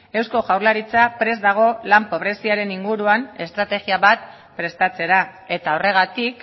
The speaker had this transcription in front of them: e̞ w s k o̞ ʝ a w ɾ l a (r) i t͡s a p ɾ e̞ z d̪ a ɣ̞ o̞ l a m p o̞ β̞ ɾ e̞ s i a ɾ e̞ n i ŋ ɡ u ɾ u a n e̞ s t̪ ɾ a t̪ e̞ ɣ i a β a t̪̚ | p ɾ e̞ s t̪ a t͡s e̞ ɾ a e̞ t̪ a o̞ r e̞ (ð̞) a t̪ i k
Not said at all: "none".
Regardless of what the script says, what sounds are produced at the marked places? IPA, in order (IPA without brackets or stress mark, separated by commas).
ɾ, ɣ̞